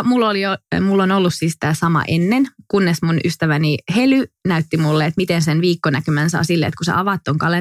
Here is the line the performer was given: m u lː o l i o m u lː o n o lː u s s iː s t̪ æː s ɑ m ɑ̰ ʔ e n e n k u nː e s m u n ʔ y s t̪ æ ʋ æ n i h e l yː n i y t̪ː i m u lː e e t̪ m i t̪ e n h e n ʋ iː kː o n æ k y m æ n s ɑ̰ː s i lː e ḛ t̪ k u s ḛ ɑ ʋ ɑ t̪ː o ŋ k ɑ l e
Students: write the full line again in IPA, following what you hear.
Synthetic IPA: m u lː o l i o m u lː o n o lː u s s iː s t̪ æː s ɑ m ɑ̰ ʔ e nː e n k u nː e s m u n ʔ y s t̪ æ ʋ æ n i h e l y n æ y t̪ː i m u lː e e t̪ m i t̪ e n s e n ʋ iː kː o n æ k y m æ n s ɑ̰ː s i lː e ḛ t̪ k u s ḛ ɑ ʋ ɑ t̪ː o ŋ k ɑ l e